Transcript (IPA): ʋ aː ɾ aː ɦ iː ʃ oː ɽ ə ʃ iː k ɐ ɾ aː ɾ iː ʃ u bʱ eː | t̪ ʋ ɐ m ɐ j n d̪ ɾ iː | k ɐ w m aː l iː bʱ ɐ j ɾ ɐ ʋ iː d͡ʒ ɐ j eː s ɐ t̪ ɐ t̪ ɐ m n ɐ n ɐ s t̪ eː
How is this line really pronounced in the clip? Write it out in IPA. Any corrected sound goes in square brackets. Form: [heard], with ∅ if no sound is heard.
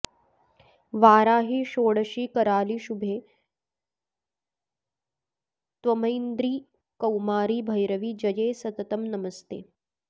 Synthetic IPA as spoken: ʋ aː ɾ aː ɦ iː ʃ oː ɽ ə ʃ iː k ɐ ɾ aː [l] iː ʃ u bʱ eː | t̪ ʋ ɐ m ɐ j n d̪ ɾ iː | k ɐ w m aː [ɾ] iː bʱ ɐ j ɾ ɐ ʋ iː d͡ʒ ɐ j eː s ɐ t̪ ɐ t̪ ɐ m n ɐ [m] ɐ s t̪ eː